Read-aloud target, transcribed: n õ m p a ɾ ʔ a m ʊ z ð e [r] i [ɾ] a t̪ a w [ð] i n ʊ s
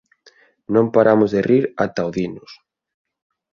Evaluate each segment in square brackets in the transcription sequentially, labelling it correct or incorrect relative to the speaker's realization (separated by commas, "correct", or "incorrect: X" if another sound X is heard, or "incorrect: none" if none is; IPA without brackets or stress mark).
correct, correct, correct